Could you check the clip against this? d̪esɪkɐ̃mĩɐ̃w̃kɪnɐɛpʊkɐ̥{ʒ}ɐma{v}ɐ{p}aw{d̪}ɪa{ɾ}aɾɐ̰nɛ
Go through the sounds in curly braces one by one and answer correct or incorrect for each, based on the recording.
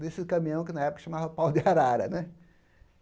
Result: incorrect: ʃ, correct, correct, correct, correct

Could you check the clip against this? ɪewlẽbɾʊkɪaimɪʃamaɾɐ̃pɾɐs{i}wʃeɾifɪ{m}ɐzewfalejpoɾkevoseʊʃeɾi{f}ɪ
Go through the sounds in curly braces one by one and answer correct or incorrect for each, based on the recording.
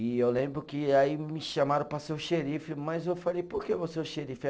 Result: incorrect: e, correct, correct

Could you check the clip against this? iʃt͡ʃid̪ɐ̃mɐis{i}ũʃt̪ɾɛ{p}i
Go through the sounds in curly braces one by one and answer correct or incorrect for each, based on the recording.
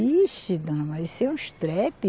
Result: incorrect: ɛ, correct

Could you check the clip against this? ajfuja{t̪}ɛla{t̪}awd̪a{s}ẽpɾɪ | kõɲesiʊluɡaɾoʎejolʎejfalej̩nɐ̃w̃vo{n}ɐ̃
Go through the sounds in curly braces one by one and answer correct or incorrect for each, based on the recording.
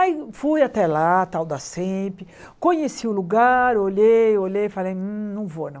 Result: correct, correct, correct, correct

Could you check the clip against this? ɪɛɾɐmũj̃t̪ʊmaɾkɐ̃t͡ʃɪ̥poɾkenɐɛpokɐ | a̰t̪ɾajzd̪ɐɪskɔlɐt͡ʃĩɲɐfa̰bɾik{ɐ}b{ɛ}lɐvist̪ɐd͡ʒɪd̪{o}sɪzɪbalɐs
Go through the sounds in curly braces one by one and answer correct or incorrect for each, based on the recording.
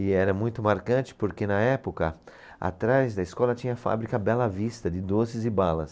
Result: correct, correct, correct

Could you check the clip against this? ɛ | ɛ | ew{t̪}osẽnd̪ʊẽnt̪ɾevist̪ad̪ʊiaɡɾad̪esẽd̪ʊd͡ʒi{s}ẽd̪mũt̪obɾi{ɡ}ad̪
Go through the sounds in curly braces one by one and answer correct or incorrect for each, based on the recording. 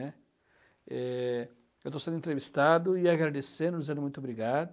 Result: correct, incorrect: z, correct

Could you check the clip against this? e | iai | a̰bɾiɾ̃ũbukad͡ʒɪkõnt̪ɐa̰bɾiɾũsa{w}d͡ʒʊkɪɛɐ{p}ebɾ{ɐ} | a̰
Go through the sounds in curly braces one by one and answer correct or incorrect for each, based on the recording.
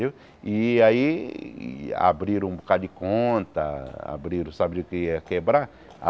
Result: incorrect: b, incorrect: k, incorrect: a

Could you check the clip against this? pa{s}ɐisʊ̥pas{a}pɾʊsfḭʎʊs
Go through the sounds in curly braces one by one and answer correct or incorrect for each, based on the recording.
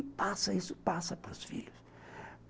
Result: correct, incorrect: ɐ

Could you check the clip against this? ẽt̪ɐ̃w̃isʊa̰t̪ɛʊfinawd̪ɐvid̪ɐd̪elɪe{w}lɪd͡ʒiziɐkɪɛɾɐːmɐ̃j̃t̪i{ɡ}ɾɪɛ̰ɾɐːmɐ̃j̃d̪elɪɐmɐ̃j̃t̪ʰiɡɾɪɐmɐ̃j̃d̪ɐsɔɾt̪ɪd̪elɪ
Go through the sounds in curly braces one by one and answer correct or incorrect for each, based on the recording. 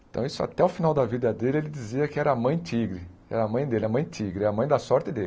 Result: incorrect: none, correct

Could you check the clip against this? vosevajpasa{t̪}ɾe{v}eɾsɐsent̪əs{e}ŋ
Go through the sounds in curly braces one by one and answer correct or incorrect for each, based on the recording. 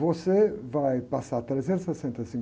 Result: correct, incorrect: z, incorrect: i

